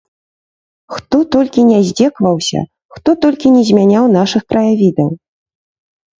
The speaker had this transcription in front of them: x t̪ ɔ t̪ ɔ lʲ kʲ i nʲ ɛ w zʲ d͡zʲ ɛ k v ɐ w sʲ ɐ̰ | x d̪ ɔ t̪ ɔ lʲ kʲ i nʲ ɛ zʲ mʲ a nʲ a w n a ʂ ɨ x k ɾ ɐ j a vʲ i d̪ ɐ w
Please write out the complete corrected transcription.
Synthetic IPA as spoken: x t̪ ɔ t̪ ɔ lʲ kʲ i nʲ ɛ zʲ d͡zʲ ɛ k v ɐ w sʲ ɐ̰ | x t̪ ɔ t̪ ɔ lʲ kʲ i nʲ ɛ zʲ mʲ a nʲ a w n a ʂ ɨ x k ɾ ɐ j a vʲ i d̪ ɐ w